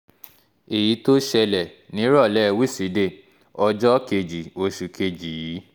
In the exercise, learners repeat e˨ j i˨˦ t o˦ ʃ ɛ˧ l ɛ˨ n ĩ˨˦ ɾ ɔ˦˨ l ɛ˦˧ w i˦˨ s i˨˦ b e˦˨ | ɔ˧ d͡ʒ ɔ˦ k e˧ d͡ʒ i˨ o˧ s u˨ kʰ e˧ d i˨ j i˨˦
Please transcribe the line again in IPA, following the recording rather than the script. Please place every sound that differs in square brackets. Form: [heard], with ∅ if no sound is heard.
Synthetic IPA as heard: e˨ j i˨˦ t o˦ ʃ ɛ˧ l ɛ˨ n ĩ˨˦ ɾ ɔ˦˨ l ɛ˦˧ w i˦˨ s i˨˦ [d] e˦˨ | ɔ˧ d͡ʒ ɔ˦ k e˧ d͡ʒ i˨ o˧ [ʃ] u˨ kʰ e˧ [d͡ʒ] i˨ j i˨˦